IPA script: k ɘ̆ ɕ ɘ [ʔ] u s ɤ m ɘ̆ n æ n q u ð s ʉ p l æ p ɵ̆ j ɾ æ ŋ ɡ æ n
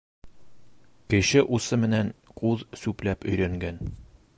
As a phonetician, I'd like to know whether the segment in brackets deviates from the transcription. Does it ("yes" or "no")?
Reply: no